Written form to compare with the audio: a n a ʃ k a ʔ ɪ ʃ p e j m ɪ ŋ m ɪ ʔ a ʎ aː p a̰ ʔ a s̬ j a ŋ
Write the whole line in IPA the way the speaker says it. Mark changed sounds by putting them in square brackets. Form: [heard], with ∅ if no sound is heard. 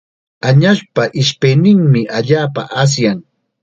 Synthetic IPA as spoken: a [ɲ] a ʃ [p] a ʔ ɪ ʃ p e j [n] ɪ ŋ m ɪ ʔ a ʎ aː p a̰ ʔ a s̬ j a ŋ